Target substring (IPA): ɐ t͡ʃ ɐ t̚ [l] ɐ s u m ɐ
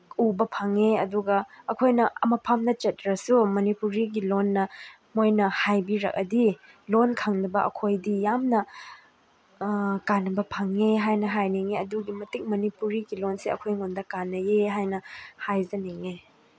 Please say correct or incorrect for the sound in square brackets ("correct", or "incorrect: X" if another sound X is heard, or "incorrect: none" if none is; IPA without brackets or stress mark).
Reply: incorrect: ɾ